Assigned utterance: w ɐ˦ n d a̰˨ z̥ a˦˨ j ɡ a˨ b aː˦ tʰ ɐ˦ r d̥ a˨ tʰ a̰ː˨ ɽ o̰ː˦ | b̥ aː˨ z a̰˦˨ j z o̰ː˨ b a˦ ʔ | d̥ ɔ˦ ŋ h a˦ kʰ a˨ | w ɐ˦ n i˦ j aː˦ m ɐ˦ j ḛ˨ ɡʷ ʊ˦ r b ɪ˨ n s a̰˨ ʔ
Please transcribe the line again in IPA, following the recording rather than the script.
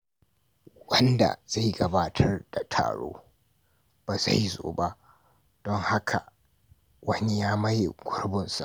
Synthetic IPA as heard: w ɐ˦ n d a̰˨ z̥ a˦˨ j ɡ ɐ˨ b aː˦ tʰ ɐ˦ r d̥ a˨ tʰ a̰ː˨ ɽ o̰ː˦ | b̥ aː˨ z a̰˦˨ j z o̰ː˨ b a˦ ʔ | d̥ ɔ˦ ŋ h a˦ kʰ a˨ | w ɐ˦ n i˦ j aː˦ m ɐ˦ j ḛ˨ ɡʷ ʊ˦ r b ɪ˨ n s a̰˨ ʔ